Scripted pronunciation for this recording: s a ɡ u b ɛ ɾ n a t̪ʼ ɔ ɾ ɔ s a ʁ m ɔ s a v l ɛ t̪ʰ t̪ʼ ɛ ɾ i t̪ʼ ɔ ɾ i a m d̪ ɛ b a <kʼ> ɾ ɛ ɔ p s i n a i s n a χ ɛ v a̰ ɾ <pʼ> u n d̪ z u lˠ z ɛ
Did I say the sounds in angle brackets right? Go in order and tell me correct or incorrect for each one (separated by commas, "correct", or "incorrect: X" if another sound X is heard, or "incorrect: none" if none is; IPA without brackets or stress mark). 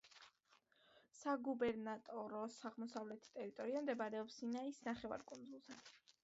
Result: incorrect: none, incorrect: kʼ